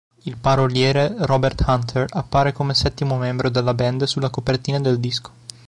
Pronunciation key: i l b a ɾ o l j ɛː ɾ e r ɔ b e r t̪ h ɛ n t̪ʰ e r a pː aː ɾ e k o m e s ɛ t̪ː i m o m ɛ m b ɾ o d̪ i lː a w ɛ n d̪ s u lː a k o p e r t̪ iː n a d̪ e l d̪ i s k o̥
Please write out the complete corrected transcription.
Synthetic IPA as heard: i l p a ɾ o l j ɛː ɾ e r ɔ b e r t̪ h a n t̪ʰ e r a pː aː ɾ e k o m e s ɛ t̪ː i m o m ɛ m b ɾ o d̪ e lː a b ɛ n d̪ s u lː a k o p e r t̪ iː n a d̪ e l d̪ i s k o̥